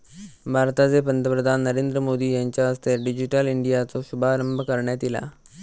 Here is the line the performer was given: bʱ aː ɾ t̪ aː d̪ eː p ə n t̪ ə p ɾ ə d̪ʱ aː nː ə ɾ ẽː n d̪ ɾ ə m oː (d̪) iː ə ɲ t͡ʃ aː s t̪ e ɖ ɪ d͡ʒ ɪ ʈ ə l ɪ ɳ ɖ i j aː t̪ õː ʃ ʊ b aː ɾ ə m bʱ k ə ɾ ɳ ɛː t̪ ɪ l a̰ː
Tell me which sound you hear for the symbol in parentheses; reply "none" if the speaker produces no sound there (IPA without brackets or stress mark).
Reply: d̪